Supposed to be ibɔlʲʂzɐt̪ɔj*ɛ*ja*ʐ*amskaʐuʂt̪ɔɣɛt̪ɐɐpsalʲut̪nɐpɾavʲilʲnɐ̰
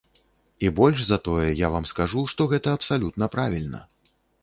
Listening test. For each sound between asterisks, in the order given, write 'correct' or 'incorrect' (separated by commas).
correct, incorrect